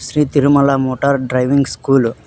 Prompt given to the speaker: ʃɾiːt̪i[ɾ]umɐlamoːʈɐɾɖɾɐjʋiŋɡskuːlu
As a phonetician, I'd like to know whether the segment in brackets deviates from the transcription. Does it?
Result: no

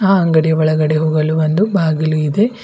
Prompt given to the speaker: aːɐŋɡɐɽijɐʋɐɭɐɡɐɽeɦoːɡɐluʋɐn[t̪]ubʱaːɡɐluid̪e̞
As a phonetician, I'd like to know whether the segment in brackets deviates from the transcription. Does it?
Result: yes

